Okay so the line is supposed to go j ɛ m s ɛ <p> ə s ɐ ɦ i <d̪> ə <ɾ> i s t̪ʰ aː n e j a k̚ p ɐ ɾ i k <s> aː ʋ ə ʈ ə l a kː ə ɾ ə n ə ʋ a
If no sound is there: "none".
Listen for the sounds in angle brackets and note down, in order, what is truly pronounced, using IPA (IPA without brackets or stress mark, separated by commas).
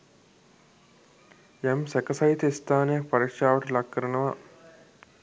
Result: k, t̪, none, ʂ